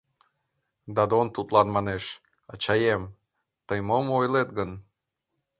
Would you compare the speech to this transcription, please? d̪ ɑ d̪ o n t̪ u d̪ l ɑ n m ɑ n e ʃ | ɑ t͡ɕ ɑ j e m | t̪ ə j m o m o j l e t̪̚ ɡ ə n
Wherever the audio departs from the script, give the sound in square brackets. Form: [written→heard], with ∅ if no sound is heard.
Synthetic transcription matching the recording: d̪ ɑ d̪ o n t̪ u [d̪→t̪] l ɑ n m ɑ n e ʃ | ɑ t͡ɕ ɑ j e m | t̪ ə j m o m o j l e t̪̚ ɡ ə n